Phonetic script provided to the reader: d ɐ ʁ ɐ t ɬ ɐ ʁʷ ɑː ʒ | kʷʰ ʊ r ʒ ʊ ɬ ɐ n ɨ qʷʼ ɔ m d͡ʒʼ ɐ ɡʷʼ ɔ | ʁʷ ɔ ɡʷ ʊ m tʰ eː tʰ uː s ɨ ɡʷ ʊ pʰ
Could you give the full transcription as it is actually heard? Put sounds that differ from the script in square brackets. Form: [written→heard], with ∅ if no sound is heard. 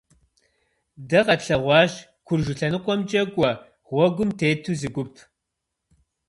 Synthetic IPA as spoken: d ɐ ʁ ɐ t ɬ ɐ ʁʷ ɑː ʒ | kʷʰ ʊ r ʒ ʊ ɬ ɐ n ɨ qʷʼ ɔ m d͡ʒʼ ɐ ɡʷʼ ɔ | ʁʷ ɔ ɡʷ ʊ m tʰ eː tʰ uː [s→z] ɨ ɡʷ ʊ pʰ